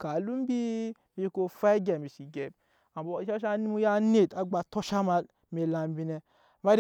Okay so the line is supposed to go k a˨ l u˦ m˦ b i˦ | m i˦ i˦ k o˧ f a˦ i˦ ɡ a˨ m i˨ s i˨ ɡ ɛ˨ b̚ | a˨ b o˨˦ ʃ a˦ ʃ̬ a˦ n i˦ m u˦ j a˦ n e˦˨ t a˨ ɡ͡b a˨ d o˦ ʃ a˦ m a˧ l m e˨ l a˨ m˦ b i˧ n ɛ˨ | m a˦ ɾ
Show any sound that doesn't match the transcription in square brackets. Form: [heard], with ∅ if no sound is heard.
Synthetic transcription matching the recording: k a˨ l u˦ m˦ b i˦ | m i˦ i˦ k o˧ f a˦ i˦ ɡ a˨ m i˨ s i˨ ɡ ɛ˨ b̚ | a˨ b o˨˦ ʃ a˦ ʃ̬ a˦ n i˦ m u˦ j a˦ n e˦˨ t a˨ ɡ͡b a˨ [t] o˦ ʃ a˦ m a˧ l m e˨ l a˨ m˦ b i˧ n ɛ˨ | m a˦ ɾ